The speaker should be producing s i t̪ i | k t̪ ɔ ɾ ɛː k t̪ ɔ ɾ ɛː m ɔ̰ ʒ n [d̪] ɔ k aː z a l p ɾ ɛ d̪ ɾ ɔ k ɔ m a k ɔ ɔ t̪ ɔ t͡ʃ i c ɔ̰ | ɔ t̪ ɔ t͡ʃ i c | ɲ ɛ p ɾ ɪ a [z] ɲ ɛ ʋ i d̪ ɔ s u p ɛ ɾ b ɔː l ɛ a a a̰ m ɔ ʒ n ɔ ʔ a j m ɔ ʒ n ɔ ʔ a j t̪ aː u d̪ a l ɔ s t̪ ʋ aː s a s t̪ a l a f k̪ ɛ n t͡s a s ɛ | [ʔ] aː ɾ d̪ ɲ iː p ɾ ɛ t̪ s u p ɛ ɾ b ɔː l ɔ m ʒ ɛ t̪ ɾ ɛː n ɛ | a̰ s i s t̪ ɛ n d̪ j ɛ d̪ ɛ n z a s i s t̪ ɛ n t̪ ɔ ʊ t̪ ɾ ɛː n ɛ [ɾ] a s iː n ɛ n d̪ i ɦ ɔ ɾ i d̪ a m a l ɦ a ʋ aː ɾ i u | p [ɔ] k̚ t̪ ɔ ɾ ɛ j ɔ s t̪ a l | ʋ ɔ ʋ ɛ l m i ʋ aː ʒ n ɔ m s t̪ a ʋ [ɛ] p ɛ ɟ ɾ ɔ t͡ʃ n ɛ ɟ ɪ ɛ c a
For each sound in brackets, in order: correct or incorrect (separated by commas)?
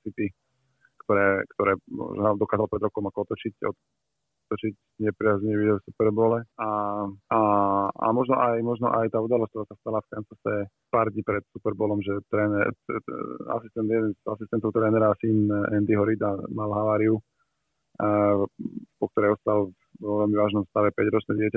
correct, correct, incorrect, correct, correct, correct